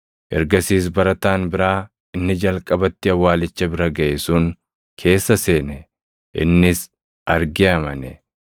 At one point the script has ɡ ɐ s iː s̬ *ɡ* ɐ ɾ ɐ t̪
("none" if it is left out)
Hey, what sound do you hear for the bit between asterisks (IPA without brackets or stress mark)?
b